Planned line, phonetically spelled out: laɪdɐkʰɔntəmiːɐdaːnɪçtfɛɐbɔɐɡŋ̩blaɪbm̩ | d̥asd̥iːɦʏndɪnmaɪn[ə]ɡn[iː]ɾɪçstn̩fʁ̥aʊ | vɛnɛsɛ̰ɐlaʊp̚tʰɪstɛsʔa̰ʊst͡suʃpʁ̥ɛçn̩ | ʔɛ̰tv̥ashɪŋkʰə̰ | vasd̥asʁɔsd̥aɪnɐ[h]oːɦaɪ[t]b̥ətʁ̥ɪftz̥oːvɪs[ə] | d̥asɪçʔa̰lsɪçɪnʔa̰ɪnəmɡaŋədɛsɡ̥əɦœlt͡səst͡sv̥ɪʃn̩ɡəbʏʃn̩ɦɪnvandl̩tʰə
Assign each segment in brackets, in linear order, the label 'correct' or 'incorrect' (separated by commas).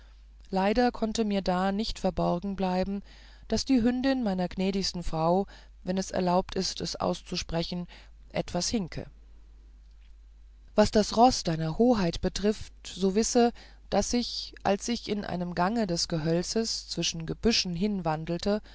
incorrect, incorrect, correct, correct, correct